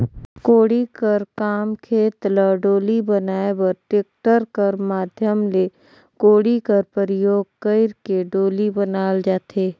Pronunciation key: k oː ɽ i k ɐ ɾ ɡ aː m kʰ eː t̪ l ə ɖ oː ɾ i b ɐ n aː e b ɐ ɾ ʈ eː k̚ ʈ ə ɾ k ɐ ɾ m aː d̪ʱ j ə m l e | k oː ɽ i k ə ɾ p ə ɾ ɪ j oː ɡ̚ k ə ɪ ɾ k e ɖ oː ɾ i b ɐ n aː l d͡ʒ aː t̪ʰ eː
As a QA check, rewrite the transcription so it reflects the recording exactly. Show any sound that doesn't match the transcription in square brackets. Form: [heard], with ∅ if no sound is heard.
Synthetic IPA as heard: k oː ɽ i k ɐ ɾ [k] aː m kʰ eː t̪ l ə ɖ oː [l] i b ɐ n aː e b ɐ ɾ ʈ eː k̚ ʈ ə ɾ k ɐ ɾ m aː d̪ʱ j ə m l e | k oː ɽ i k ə ɾ p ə ɾ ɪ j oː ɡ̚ k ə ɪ ɾ k e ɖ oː [l] i b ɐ n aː l d͡ʒ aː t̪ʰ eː